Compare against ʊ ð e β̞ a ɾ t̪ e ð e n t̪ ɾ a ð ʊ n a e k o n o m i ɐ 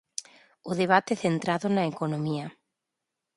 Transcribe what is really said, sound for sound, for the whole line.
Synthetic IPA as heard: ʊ ð e β̞ a t̪ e θ e n t̪ ɾ a ð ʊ n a e k o n o m i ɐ